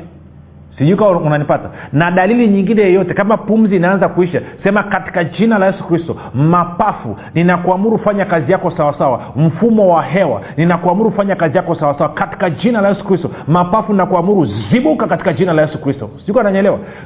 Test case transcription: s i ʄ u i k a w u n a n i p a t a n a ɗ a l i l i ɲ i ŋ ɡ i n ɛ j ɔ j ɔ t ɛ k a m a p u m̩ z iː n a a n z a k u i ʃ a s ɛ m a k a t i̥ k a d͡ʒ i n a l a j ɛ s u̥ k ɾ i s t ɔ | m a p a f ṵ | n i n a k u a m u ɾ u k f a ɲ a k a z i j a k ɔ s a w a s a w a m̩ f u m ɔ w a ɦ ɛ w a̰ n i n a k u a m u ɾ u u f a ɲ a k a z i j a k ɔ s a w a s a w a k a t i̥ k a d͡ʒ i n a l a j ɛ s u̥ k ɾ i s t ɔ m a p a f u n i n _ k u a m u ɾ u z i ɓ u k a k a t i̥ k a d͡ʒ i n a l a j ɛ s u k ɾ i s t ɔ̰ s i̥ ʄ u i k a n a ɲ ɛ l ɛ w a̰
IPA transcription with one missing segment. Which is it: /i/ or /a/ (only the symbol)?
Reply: a